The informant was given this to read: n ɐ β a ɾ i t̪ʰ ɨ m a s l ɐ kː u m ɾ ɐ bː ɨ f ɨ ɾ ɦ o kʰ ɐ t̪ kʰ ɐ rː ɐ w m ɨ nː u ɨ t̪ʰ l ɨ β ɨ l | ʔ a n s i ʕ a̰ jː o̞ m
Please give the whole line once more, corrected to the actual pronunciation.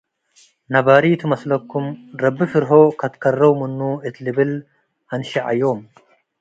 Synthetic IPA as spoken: n ɐ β a ɾ i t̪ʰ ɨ m ɐ s l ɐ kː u m ɾ ɐ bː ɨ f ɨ ɾ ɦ o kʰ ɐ t̪ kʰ ɐ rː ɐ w m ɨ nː u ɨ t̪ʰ l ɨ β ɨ l | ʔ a n ʃ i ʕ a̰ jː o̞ m

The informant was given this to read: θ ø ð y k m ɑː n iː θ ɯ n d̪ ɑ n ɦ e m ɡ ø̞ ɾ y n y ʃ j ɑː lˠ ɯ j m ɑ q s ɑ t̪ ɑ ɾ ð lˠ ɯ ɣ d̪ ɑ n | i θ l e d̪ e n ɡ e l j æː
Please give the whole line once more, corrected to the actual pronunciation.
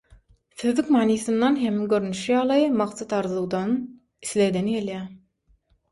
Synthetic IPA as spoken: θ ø ð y k m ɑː n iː θ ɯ n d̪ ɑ n ɦ e m ɡ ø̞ ɾ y n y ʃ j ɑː lˠ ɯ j m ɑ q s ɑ t̪ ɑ ɾ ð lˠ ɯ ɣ d̪ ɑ n | i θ l e d̪ e n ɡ e l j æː

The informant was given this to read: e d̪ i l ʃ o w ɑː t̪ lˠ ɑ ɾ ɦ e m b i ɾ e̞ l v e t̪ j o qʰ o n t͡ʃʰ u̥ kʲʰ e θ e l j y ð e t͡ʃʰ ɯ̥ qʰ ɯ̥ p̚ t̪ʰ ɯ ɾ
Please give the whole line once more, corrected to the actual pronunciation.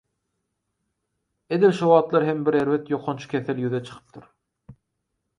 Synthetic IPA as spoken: e d̪ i l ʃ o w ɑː t̪ lˠ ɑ ɾ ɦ e m b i ɾ e̞ ɾ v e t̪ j o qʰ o n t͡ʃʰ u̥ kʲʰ e θ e l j y ð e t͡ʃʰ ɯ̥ qʰ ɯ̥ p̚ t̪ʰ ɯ ɾ

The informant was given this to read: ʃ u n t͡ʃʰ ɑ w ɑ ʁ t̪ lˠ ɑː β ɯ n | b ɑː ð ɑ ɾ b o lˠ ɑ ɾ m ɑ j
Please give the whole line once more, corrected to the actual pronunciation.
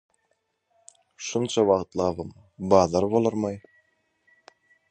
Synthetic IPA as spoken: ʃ u n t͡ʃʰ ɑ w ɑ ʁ t̪ lˠ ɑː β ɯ m | b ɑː ð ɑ ɾ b o lˠ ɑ ɾ m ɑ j

